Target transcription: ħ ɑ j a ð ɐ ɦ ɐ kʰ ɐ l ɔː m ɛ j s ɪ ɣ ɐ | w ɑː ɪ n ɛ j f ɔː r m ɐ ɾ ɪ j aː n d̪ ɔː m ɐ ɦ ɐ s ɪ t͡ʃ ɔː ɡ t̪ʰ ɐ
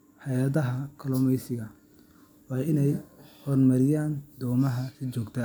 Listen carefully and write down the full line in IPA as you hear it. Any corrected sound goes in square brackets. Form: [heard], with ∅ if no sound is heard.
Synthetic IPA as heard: ħ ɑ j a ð ɐ ɦ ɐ kʰ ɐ l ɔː m ɛ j s ɪ ɣ ɐ | w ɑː ɪ n ɛ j [h] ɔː r m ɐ ɾ ɪ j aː n d̪ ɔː m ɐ ɦ ɐ s ɪ t͡ʃ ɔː ɡ t̪ʰ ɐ